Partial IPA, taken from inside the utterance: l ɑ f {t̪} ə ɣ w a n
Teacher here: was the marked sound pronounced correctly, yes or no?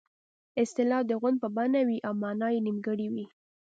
no